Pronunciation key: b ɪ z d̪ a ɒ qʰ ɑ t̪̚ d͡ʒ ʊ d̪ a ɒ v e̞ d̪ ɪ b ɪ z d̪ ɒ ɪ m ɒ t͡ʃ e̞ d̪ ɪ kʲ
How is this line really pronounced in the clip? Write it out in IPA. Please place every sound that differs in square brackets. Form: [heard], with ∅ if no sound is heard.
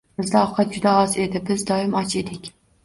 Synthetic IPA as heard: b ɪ z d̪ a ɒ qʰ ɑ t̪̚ d͡ʒ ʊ d̪ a ɒ [z] e̞ d̪ ɪ b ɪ z d̪ ɒ ɪ m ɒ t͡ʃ e̞ d̪ ɪ kʲ